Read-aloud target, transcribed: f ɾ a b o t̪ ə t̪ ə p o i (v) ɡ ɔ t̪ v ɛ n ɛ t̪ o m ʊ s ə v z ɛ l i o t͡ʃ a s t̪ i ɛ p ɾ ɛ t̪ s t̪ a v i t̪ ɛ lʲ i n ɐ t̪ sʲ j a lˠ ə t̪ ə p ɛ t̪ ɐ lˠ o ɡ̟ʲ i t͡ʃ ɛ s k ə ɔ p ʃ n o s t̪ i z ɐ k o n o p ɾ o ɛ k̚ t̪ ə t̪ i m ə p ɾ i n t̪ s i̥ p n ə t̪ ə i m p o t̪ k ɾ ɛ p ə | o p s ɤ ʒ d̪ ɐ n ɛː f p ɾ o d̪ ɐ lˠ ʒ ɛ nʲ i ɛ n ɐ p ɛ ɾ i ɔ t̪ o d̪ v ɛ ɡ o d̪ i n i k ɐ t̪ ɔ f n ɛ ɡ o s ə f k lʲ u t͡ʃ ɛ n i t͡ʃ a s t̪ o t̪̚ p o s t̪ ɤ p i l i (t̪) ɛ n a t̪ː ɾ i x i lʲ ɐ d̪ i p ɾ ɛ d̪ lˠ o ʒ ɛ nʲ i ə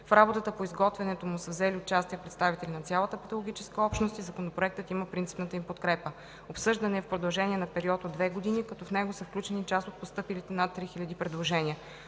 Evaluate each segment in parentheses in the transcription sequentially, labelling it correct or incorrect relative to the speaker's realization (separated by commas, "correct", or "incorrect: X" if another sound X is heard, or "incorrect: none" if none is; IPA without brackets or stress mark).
incorrect: z, correct